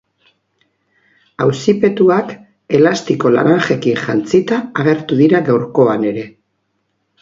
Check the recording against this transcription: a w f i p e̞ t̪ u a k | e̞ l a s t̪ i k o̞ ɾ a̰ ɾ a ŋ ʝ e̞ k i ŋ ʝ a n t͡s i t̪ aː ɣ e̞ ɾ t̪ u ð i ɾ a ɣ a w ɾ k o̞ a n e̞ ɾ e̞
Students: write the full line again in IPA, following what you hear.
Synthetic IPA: a w s i p e̞ t̪ u a k | e̞ l a s t̪ i k o̞ l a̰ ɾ a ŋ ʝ e̞ k i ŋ ʝ a n t͡s i t̪ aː ɣ e̞ ɾ t̪ u ð i ɾ a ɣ a w ɾ k o̞ a n e̞ ɾ e̞